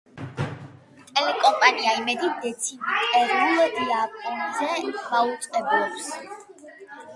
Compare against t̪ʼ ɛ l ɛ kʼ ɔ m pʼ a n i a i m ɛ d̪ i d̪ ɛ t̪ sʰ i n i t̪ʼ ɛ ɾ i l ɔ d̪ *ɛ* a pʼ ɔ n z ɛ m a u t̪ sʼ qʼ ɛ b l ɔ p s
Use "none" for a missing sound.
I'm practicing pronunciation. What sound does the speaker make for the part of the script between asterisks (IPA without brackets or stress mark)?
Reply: i